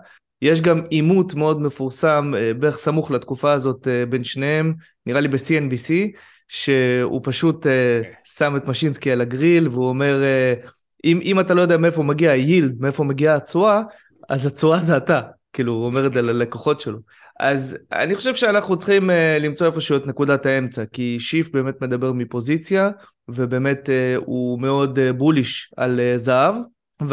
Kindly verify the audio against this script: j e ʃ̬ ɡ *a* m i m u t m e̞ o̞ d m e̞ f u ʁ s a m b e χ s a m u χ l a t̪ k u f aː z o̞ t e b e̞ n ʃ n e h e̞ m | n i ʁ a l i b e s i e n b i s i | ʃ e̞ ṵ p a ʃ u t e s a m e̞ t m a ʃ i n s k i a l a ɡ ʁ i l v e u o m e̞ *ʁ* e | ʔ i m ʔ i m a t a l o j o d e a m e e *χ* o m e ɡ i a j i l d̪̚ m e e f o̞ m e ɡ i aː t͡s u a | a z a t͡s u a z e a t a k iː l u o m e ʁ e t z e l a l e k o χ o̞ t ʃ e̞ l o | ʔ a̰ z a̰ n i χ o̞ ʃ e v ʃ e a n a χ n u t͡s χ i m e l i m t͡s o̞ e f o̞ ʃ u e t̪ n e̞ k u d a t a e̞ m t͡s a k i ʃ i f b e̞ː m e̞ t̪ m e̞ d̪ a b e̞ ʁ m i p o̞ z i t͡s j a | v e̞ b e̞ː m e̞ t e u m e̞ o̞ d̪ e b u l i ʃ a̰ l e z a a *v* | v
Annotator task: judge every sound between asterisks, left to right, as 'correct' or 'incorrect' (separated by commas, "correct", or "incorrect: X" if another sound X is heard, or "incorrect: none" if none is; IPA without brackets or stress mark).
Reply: correct, correct, incorrect: f, correct